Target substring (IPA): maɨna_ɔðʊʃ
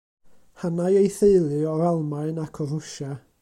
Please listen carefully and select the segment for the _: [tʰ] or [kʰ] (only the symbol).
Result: kʰ